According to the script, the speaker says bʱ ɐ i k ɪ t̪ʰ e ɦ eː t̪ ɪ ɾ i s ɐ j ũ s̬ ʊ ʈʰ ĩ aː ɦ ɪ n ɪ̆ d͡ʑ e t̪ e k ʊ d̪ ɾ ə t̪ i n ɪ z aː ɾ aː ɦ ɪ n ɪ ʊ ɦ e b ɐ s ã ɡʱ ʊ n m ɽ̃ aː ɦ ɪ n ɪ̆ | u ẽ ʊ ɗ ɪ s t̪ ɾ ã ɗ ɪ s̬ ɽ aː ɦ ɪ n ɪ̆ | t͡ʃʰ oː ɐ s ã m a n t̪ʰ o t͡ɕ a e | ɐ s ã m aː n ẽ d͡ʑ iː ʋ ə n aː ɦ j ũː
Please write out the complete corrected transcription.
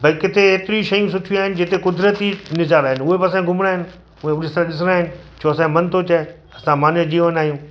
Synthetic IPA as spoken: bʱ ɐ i k ɪ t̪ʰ e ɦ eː t̪ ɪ ɾ i ʃ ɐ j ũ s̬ ʊ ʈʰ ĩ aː ɦ ɪ n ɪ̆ d͡ʑ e t̪ e k ʊ d̪ ɾ ə t̪ i n ɪ z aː ɾ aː ɦ ɪ n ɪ ʊ ɦ e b ɐ s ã ɡʱ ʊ m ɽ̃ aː ɦ ɪ n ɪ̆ | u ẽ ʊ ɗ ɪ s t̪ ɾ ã ɗ ɪ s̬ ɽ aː ɦ ɪ n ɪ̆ | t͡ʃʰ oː ɐ s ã m ɐ n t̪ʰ o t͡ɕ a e | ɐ s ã m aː n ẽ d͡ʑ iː ʋ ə n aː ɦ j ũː